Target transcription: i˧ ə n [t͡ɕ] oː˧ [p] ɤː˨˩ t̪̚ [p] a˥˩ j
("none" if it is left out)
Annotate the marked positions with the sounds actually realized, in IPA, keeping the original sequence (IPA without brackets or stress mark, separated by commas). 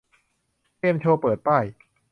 t͡ɕʰ, p, p